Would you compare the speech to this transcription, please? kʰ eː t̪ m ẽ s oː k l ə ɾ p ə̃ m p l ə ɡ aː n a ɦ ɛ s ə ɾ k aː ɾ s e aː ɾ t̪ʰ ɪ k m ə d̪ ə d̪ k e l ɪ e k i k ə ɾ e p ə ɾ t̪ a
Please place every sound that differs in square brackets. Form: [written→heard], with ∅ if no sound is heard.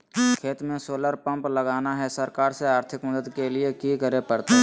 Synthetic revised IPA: kʰ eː t̪ m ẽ s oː [k→∅] l ə ɾ p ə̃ m p l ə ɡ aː n a ɦ ɛ s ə ɾ k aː ɾ s e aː ɾ t̪ʰ ɪ k m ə d̪ ə d̪ k e l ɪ e k i k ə ɾ e p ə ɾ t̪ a